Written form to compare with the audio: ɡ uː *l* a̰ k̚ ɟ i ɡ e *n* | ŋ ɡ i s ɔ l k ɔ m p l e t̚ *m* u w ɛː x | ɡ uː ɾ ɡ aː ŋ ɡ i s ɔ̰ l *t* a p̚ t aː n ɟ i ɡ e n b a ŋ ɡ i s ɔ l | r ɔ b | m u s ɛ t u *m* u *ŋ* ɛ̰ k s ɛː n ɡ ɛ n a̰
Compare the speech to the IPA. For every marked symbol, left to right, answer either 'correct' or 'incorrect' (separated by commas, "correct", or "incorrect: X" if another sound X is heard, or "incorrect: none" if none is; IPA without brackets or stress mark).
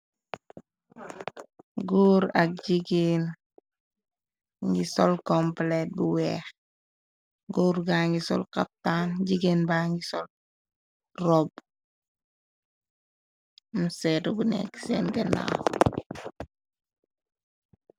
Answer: incorrect: ɾ, correct, incorrect: b, incorrect: k, incorrect: b, incorrect: n